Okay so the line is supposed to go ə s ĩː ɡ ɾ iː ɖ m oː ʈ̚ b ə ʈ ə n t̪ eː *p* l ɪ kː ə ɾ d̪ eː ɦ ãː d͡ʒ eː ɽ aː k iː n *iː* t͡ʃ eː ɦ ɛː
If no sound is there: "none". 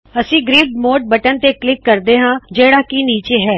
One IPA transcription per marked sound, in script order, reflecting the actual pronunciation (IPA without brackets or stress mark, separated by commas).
k, iː